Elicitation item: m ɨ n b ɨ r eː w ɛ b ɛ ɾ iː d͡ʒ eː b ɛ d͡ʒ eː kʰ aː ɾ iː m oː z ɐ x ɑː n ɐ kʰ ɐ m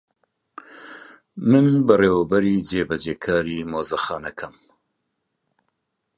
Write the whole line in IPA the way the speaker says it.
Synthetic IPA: m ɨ n b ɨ r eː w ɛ b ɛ ɾ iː d͡ʒ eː b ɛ d͡ʒ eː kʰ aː ɾ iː m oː z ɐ x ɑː n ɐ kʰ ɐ m